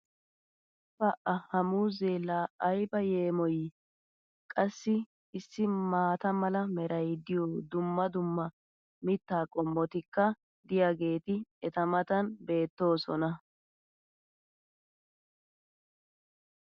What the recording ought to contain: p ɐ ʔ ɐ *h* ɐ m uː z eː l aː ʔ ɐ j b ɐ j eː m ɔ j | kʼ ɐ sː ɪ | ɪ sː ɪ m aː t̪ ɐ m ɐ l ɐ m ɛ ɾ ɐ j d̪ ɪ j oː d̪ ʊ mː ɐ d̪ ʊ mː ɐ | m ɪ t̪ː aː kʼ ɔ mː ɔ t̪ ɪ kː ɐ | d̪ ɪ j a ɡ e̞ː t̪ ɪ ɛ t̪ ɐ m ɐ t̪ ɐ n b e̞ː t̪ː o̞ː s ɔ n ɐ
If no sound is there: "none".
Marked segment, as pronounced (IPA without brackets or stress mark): h